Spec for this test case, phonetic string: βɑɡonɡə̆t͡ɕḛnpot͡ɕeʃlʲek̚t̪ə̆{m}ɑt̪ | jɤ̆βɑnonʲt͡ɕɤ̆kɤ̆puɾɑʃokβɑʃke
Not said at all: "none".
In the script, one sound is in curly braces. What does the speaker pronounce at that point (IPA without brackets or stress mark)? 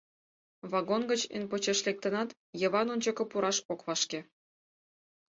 n